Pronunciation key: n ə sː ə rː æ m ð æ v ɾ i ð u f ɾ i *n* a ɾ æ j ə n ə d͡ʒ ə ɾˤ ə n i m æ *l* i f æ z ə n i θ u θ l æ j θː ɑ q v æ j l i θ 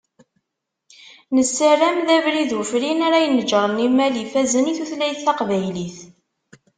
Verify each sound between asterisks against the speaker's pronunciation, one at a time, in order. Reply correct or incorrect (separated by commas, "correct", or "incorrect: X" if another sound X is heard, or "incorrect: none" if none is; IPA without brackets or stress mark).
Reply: correct, correct